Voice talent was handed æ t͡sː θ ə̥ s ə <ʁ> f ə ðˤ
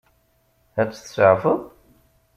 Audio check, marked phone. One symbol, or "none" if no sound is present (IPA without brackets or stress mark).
ʕ